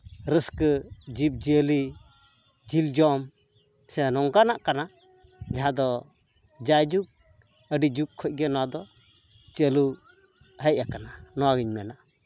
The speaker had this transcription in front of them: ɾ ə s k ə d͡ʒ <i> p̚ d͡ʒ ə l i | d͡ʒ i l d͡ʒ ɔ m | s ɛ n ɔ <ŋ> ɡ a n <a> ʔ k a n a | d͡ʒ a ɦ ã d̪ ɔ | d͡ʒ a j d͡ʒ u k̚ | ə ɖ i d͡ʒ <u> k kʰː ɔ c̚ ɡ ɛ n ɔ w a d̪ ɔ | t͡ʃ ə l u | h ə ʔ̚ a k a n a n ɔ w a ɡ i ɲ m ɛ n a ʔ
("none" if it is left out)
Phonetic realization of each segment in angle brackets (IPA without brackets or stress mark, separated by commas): i, ŋ, a, u